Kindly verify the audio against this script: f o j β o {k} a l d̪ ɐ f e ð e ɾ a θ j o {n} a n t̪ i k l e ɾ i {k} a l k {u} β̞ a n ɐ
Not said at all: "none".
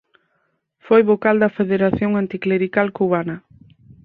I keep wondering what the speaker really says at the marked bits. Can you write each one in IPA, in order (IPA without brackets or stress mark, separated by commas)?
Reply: k, ŋ, k, u